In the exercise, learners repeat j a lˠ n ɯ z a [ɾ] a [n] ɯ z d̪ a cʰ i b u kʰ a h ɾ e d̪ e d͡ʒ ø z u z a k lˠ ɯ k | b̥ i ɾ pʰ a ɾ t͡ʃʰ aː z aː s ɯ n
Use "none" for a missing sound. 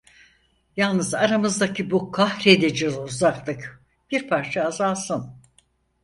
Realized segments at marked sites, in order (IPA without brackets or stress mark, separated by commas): ɾ, m